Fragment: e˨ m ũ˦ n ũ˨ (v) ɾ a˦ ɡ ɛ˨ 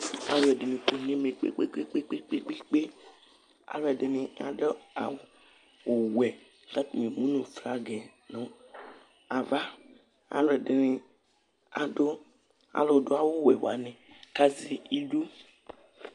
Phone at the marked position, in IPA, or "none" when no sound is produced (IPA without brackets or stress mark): f